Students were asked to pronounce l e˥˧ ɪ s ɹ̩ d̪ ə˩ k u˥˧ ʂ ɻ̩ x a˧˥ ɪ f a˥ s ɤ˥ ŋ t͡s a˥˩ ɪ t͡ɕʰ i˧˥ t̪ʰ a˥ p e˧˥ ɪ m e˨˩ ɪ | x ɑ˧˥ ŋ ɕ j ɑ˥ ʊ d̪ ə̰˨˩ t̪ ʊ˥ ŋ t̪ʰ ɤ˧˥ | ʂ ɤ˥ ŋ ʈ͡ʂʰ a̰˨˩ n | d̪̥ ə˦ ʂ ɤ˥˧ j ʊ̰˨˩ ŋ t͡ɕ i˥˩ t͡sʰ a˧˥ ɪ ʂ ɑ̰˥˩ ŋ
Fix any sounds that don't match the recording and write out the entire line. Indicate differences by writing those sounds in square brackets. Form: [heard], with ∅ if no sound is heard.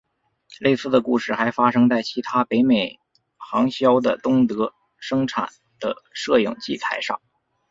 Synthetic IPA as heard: l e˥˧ ɪ s ɹ̩ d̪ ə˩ k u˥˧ ʂ ɻ̩ x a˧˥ ɪ f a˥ [ʂ] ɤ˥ ŋ t͡s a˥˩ ɪ t͡ɕʰ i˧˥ t̪ʰ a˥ p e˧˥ ɪ m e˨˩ ɪ | x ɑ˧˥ ŋ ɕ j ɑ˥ ʊ d̪ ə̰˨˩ t̪ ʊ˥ ŋ [t̪] ɤ˧˥ | ʂ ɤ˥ ŋ ʈ͡ʂʰ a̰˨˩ n | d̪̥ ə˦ ʂ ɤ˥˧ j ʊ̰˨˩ ŋ t͡ɕ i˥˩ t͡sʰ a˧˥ ɪ ʂ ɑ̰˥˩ ŋ